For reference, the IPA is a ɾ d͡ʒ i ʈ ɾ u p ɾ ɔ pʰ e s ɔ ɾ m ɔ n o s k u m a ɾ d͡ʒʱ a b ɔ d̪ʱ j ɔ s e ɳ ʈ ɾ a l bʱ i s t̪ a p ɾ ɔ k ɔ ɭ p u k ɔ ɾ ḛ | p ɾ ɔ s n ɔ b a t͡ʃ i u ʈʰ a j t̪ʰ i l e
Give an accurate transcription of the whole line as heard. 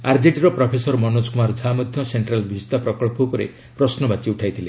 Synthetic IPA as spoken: a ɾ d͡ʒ i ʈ ɾ ɔ p ɾ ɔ pʰ e s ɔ ɾ m ɔ n o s k u m a ɾ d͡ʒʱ a m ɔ d̪ʱ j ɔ s e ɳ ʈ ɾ a l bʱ i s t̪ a p ɾ ɔ k ɔ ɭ p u k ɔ ɾ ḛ | p ɾ ɔ s n ɔ b a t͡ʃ i u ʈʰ a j t̪ʰ i l e